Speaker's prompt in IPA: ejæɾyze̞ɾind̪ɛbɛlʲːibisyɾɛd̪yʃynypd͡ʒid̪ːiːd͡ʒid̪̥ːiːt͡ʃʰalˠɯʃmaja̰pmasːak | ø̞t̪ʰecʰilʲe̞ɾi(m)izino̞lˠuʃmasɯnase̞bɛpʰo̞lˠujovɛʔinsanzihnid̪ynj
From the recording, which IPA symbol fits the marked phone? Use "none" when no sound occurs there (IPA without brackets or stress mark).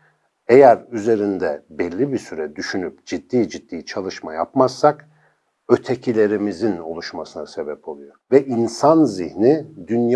m